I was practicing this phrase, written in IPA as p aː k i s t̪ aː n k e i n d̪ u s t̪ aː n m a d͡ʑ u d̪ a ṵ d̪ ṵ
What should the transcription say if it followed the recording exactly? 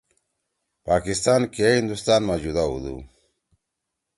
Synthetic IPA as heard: p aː k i s t̪ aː n k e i n d̪ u s t̪ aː n m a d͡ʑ u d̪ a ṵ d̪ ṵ